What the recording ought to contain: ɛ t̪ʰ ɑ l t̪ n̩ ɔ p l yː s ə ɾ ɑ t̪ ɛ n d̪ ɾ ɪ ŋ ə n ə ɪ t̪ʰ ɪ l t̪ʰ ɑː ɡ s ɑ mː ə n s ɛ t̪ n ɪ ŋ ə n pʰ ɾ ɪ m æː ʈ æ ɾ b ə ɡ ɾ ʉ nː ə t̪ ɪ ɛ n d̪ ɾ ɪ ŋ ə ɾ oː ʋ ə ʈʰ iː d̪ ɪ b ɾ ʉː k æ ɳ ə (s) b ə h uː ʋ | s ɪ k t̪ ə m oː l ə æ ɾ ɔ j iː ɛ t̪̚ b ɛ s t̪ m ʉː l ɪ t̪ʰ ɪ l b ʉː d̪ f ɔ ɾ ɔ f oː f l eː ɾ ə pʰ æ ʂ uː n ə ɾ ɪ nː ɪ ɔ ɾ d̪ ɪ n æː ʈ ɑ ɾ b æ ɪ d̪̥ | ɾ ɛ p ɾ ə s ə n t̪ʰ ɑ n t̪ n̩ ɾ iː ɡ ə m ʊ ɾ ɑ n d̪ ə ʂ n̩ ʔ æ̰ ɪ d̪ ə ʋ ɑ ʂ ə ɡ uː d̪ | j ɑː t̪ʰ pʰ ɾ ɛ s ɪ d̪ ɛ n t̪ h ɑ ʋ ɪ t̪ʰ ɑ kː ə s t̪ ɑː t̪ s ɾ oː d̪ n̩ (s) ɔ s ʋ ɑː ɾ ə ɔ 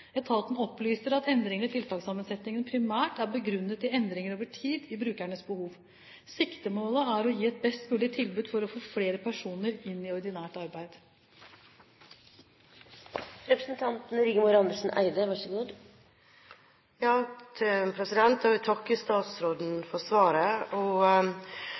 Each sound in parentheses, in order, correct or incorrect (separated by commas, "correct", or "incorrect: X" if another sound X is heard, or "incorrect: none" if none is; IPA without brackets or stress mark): correct, incorrect: f